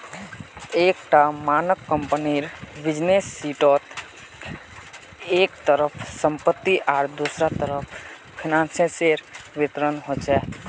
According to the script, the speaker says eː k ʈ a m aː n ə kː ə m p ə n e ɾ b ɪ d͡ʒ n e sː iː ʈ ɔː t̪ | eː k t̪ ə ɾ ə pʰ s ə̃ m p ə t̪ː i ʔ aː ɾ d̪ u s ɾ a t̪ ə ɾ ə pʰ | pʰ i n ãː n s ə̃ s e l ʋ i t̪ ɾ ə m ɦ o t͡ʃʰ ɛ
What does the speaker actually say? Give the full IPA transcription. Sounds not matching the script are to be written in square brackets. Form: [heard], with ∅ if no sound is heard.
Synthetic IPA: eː k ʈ a m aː n ə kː ə m p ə n [i] ɾ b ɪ d͡ʒ n e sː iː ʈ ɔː t̪ | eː k t̪ ə ɾ ə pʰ s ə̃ m p ə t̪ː i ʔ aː ɾ d̪ u s ɾ a t̪ ə ɾ ə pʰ | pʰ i n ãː n s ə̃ s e [ɾ] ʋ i t̪ ɾ ə [n] ɦ o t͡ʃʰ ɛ